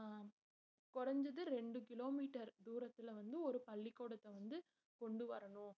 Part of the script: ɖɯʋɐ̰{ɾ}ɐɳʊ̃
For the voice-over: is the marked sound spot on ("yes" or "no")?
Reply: yes